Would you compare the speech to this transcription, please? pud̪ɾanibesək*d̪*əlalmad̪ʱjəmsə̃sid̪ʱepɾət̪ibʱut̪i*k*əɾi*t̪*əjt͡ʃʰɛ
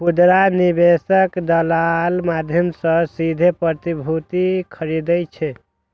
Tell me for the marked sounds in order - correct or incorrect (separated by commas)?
correct, incorrect, incorrect